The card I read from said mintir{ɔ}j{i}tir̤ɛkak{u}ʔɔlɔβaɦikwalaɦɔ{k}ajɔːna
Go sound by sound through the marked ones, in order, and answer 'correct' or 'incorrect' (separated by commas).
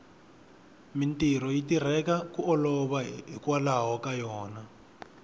correct, correct, correct, correct